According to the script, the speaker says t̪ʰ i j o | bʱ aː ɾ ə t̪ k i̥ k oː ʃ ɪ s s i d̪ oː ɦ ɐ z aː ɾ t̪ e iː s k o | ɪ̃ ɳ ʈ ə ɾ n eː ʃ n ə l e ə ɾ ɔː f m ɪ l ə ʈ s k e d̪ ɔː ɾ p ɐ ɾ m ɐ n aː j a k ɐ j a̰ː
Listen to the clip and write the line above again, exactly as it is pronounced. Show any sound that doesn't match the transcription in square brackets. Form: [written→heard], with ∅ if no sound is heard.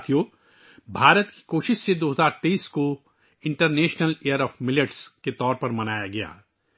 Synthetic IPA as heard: t̪ʰ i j o | bʱ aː ɾ ə t̪ k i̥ k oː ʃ ɪ [s→ʃ] s [i→e] d̪ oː ɦ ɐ z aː ɾ t̪ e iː s k o | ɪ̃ ɳ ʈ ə ɾ n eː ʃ n ə l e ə ɾ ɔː f m ɪ l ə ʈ s k e [d̪→t̪] ɔː ɾ p ɐ ɾ m ɐ n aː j a [k→ɡ] ɐ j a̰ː